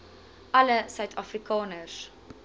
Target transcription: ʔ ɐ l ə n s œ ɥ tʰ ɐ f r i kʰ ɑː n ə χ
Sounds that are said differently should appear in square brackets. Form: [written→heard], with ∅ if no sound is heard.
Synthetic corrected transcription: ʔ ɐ l ə [n→∅] s œ ɥ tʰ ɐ f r i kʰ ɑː n ə [χ→s]

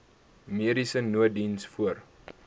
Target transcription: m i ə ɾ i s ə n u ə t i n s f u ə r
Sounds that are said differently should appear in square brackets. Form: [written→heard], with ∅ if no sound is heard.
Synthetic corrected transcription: m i ə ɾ i s ə n u ə [t→d] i n s f u ə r

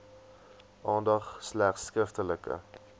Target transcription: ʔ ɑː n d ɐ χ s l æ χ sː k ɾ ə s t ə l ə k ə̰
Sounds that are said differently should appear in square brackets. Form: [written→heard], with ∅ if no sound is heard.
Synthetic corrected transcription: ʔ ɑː n d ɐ χ s l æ χ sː k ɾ ə [s→f] t ə l ə k ə̰

